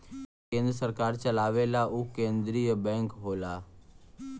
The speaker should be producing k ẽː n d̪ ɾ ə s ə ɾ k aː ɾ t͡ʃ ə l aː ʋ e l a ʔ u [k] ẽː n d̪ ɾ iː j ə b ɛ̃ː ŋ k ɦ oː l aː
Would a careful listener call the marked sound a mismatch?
no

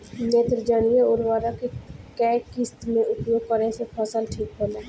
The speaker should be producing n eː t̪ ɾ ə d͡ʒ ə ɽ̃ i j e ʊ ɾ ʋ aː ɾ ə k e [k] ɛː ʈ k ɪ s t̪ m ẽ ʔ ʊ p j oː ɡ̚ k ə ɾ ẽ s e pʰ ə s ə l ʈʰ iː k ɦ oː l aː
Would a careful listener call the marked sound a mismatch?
no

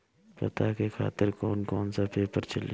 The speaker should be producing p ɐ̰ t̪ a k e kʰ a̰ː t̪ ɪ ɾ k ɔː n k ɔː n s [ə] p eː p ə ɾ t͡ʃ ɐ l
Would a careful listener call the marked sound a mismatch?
yes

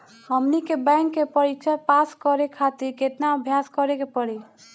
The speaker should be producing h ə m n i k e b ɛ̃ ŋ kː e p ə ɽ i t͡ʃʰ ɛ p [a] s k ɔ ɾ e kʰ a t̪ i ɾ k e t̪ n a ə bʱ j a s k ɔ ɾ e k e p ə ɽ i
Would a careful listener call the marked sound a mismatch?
no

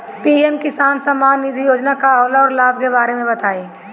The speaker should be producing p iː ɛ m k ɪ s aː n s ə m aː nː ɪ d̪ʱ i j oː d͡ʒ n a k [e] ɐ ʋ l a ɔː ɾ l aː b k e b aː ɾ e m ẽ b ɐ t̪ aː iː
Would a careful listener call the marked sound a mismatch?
yes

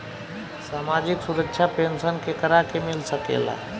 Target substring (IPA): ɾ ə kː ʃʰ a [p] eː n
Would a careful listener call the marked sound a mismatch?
no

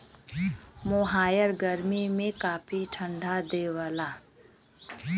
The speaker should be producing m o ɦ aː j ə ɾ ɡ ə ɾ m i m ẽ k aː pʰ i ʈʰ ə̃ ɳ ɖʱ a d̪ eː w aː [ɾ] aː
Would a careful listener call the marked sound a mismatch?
yes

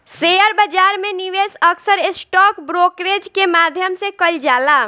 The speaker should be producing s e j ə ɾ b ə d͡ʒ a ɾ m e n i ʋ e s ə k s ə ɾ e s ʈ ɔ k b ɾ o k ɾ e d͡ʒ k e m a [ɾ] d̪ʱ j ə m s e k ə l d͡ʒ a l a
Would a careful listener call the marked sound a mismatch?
yes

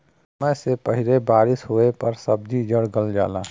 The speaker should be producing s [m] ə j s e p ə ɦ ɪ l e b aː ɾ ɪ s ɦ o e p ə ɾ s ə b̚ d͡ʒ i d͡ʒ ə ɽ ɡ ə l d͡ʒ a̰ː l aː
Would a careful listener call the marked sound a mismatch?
no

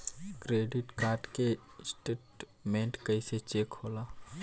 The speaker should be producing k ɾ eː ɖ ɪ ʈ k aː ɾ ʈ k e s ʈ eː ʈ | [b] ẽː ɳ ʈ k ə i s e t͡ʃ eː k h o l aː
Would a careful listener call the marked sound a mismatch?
yes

